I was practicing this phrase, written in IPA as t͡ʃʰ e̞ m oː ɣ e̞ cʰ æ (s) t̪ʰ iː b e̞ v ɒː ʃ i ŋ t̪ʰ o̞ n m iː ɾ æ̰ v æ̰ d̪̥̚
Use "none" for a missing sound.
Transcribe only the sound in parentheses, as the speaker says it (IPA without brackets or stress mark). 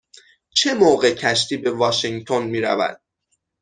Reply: ʃ